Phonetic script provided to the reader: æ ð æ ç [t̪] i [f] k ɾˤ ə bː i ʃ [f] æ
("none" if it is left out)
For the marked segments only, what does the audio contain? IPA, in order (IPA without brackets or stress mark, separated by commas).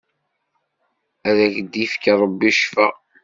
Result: d̪, f, f